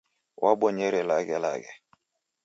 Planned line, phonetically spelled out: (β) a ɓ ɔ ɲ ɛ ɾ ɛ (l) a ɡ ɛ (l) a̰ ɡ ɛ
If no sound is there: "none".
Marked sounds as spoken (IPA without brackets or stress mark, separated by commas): w, l, l